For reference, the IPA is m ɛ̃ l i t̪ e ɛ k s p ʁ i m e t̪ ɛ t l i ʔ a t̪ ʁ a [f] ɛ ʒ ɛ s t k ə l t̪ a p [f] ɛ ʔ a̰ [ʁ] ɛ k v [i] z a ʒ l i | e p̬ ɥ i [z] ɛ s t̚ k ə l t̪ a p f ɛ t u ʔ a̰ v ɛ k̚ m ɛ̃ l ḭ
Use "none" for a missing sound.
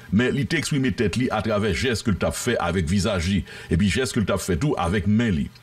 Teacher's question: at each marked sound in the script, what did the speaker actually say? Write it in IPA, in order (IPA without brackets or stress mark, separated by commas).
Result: v, f, v, i, ʒ